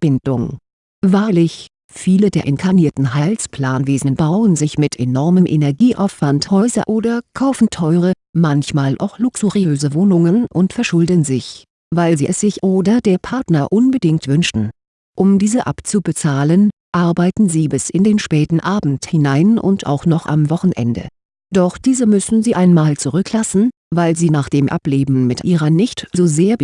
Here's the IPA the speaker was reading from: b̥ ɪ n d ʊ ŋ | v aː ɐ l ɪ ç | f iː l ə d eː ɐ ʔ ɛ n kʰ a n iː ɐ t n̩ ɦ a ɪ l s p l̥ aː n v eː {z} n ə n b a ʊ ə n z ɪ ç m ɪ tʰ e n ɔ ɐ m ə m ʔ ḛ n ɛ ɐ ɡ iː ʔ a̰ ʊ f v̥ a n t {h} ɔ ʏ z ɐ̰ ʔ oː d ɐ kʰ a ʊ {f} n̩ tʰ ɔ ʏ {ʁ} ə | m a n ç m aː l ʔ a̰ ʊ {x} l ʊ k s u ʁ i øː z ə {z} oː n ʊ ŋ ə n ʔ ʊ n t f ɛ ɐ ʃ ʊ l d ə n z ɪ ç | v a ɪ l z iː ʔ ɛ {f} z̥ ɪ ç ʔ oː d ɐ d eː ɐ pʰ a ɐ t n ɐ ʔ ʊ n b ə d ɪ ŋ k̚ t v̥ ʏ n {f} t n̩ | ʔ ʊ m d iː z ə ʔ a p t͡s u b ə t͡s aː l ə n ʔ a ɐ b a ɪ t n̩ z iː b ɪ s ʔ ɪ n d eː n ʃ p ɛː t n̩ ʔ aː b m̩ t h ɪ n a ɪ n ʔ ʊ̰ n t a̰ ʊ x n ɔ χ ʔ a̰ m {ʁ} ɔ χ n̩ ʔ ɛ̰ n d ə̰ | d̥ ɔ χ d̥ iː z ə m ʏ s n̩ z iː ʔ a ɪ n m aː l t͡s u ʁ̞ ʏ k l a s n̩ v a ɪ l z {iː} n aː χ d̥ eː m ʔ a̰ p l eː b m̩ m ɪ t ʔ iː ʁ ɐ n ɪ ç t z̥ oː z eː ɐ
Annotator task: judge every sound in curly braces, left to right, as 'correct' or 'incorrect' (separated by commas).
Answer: correct, correct, correct, correct, correct, incorrect, incorrect, incorrect, incorrect, correct